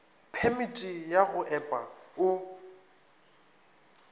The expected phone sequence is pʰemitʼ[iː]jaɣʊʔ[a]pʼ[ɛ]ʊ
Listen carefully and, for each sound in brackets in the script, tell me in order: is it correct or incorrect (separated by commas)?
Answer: incorrect, incorrect, incorrect